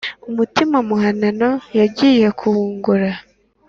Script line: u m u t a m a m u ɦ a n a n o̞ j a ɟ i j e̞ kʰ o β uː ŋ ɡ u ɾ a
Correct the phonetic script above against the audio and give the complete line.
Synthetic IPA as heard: u m u t i m a m u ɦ a n a n o̞ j a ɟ i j e̞ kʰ u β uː ŋ ɡ u ɾ a